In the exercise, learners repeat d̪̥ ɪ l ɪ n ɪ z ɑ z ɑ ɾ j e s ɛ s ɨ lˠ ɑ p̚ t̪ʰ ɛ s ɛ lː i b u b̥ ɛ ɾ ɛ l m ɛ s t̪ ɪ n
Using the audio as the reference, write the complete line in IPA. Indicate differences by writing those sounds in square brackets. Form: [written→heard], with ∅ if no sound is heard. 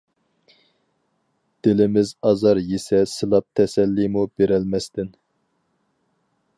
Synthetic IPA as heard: d̪̥ ɪ l ɪ [n→m] ɪ z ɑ z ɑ ɾ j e s ɛ s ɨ lˠ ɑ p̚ t̪ʰ ɛ s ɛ lː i [b→m] u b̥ [ɛ→e] ɾ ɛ l m ɛ s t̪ ɪ n